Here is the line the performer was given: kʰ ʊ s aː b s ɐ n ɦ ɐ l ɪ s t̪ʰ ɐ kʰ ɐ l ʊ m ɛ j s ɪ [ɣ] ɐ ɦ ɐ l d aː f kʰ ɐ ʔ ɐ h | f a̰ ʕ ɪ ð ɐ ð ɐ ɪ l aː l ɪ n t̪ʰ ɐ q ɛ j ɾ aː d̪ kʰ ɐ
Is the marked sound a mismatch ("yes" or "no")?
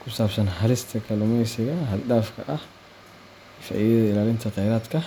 no